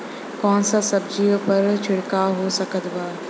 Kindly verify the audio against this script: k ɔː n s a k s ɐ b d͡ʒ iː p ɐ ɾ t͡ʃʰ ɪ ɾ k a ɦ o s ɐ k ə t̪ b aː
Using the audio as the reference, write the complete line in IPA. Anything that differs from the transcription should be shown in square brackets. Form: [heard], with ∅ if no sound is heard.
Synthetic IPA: k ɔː n s a [∅] s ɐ b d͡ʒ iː p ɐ ɾ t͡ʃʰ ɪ [ɽ] k a ɦ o s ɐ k ə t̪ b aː